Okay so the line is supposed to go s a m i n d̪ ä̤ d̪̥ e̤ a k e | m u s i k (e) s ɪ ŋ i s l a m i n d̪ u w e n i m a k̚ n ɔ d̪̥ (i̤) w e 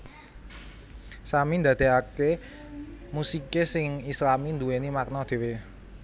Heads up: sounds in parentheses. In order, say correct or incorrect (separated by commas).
correct, incorrect